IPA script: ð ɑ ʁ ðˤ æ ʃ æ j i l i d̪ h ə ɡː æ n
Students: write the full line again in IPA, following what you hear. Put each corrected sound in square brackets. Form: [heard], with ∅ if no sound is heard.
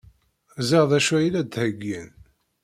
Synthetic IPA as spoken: [z] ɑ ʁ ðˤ æ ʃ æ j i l [æ] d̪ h ə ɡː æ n